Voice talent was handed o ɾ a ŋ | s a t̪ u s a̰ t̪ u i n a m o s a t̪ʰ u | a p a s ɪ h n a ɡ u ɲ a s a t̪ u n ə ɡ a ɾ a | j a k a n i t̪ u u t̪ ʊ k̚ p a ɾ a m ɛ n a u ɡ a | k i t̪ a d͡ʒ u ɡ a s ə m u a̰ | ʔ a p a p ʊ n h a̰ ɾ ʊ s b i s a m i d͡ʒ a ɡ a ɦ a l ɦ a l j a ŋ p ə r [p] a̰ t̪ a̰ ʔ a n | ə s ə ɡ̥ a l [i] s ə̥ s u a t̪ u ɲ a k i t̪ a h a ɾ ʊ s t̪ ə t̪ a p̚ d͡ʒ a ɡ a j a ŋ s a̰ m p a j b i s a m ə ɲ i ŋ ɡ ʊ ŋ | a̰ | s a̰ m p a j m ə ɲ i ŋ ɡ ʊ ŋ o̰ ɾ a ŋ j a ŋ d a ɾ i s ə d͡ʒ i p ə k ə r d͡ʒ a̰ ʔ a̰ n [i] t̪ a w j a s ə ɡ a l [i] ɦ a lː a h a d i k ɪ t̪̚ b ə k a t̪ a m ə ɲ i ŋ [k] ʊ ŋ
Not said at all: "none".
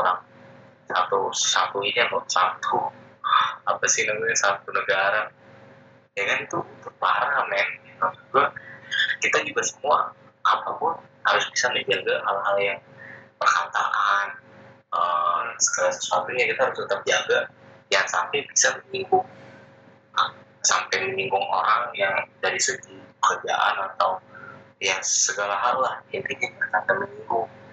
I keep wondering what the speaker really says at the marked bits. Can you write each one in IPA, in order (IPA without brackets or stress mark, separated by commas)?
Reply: k, a, a, a, ɡ